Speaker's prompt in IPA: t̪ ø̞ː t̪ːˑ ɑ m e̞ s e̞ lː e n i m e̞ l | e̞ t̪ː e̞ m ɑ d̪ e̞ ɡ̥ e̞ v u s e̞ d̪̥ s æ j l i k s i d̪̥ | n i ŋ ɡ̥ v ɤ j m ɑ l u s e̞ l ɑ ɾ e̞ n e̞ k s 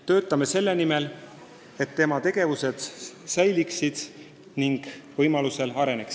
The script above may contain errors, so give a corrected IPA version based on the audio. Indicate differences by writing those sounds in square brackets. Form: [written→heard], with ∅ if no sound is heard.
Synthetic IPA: t̪ ø̞ː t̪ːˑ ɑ m e̞ s e̞ lː e n i m e̞ l | e̞ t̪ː e̞ m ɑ [d̪→t̪] e̞ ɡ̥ e̞ v u s e̞ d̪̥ s æ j l i k s i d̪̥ | n i ŋ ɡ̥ v ɤ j m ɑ l u s e̞ l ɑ ɾ e̞ n e̞ k s